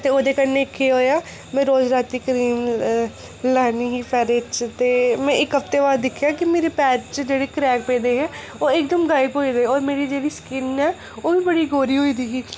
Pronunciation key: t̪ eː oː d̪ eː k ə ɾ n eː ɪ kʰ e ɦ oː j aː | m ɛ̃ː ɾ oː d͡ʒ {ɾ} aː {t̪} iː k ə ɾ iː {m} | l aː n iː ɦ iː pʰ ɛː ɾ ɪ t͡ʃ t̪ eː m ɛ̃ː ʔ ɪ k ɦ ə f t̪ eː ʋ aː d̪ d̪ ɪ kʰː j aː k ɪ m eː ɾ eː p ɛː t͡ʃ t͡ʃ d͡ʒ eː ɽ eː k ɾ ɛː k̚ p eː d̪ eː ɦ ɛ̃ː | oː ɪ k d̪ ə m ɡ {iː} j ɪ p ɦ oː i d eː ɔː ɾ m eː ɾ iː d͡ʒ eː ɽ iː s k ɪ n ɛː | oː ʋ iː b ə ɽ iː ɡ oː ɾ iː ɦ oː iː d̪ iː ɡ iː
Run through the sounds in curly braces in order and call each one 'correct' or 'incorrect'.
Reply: correct, correct, correct, incorrect: aː

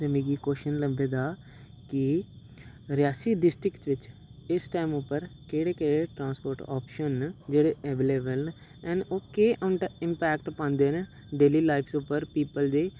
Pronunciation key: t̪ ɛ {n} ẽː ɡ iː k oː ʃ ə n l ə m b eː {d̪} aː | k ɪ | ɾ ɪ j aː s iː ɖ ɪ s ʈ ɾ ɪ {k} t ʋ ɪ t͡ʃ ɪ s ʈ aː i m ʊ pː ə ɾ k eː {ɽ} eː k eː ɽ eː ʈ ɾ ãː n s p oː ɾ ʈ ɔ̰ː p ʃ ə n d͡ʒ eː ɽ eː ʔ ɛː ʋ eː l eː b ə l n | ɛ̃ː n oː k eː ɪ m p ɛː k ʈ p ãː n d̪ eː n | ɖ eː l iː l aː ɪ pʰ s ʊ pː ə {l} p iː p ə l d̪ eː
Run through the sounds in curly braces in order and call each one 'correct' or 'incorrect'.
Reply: incorrect: m, correct, correct, correct, incorrect: ɾ

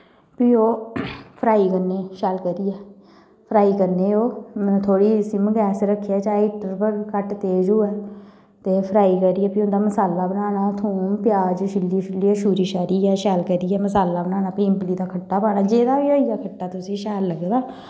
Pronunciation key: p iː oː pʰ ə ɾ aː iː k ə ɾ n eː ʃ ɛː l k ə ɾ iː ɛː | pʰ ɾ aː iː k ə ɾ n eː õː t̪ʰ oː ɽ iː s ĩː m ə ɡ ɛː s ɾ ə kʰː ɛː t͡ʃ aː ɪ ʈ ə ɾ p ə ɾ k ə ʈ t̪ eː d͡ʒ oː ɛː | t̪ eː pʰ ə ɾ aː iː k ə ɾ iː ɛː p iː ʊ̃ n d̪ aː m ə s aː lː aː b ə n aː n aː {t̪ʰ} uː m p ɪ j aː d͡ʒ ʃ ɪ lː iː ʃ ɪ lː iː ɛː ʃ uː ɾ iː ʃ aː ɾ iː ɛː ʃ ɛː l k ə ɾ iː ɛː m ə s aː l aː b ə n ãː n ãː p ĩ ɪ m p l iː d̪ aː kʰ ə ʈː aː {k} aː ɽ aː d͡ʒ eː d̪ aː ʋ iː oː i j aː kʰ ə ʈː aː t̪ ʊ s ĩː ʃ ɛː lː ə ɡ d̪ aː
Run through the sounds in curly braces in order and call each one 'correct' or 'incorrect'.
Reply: correct, incorrect: p

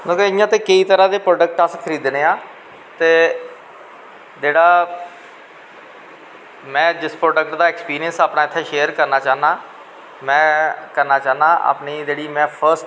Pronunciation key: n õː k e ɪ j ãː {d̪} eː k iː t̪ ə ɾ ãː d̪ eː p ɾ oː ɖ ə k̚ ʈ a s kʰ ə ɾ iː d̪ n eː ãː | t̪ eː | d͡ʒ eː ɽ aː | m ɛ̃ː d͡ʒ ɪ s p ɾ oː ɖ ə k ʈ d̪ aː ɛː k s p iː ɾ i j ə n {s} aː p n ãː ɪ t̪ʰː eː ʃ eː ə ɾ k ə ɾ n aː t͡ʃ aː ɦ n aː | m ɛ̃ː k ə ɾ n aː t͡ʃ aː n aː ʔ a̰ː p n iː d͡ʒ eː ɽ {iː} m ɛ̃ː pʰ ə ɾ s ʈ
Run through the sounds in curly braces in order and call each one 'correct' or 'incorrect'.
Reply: incorrect: t̪, correct, correct

